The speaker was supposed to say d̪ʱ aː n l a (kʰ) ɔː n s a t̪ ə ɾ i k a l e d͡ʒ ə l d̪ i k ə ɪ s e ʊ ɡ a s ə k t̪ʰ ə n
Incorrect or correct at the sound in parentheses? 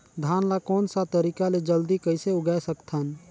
incorrect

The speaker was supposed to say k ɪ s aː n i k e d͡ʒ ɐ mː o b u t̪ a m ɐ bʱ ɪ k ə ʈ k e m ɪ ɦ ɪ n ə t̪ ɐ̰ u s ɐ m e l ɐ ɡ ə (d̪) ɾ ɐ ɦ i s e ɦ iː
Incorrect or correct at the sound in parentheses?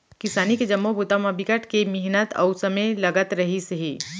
incorrect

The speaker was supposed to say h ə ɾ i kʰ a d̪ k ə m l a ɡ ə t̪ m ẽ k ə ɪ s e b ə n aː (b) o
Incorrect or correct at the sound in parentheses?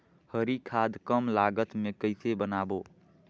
correct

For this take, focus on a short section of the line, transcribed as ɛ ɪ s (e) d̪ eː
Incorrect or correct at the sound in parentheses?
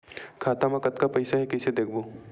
correct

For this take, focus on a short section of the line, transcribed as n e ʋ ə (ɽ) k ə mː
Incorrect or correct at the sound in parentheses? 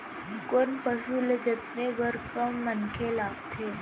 incorrect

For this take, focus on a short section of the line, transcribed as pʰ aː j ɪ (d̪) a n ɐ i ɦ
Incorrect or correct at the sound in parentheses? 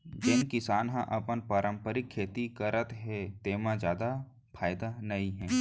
correct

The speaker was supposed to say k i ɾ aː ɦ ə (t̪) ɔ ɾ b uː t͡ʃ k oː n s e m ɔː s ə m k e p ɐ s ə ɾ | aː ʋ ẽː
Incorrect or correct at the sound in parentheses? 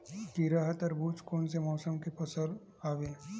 correct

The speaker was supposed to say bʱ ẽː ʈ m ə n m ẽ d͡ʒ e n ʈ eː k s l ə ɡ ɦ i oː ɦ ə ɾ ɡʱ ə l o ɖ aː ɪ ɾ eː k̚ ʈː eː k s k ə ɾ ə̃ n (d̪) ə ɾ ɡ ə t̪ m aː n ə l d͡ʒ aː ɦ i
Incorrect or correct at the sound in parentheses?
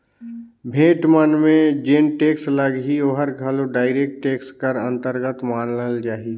incorrect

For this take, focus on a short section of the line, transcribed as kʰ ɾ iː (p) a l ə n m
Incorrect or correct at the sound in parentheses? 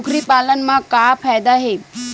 correct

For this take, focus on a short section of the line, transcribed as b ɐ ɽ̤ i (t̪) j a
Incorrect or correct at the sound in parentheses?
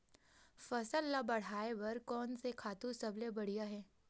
incorrect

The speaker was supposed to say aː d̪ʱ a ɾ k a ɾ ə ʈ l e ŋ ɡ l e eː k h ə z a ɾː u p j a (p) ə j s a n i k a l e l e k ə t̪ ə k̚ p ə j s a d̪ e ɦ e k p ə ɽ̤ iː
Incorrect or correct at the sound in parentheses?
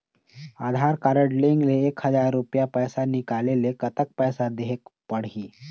correct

